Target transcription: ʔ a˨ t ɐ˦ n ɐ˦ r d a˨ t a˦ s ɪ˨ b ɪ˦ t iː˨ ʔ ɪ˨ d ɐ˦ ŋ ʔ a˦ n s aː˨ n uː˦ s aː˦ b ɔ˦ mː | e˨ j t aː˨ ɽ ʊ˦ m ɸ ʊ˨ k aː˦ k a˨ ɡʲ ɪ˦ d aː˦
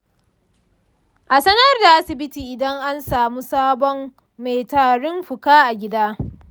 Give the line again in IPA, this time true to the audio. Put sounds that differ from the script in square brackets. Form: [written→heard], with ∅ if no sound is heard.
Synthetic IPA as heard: ʔ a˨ [t→s] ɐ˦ n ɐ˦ r d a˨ [t→ʔ] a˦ s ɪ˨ b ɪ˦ t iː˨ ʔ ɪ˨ d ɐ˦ ŋ ʔ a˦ n s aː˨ [n→m] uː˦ s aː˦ b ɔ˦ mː | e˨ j t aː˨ ɽ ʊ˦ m ɸ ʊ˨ k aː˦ [k→ʔ] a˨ ɡʲ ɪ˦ d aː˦